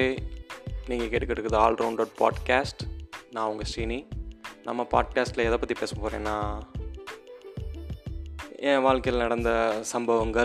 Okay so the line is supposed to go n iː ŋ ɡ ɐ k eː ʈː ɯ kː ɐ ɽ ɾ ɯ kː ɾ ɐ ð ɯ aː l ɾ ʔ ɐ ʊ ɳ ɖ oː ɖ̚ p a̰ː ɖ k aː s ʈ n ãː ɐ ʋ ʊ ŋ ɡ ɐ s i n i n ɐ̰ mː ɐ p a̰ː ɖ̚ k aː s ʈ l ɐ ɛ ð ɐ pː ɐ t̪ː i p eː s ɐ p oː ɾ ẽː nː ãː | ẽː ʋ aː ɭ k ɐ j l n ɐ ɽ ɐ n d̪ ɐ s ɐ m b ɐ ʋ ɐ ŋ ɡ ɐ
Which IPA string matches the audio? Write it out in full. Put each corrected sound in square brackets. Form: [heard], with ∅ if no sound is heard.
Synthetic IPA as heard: n iː ŋ ɡ ɐ k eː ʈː ɯ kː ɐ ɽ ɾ ɯ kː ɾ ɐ ð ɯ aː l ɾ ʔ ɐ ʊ ɳ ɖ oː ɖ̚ p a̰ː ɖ k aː s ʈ n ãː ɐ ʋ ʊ ŋ ɡ ɐ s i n i n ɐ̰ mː ɐ p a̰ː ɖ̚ k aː s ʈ l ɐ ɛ ð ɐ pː ɐ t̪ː i p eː s ɐ p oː ɾ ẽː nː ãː | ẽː ʋ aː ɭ k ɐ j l n ɐ ɽ ɐ n d̪ ɐ s ɐ m b ɐ ʋ ɐ ŋ ɡ ɐ